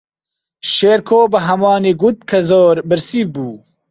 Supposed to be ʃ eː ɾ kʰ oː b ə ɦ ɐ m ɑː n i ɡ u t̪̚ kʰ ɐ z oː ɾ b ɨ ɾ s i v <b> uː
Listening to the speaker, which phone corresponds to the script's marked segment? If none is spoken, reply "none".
b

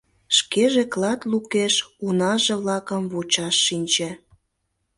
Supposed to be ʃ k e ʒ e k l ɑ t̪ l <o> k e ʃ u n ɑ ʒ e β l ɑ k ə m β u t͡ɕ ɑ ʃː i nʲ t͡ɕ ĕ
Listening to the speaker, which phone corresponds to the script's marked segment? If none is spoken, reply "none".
u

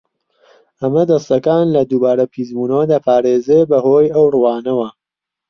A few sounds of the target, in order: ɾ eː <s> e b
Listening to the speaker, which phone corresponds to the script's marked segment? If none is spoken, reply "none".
z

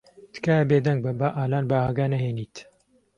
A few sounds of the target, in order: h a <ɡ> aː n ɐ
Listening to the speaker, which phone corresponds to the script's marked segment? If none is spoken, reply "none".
ɡ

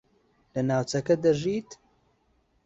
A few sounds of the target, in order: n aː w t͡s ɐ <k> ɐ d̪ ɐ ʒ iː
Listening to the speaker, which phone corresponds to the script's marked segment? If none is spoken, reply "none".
k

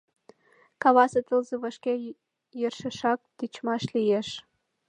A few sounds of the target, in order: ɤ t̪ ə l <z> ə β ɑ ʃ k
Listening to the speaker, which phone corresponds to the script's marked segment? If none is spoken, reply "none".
z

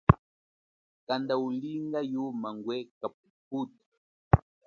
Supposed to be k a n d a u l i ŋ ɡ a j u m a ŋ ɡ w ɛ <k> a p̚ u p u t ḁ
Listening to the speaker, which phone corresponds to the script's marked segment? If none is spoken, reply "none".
k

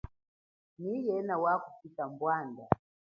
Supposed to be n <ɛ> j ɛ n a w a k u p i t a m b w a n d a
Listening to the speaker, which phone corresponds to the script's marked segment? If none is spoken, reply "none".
i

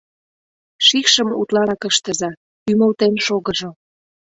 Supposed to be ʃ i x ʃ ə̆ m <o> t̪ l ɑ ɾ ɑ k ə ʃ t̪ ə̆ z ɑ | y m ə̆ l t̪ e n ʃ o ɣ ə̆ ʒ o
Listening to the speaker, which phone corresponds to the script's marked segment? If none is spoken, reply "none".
u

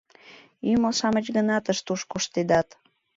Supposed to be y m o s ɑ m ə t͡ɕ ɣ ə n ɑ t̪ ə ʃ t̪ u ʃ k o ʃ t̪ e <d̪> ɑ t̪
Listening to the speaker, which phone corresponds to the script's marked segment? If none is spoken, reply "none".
d̪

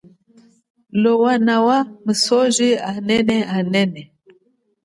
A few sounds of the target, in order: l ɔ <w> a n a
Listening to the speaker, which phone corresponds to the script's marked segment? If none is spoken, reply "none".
w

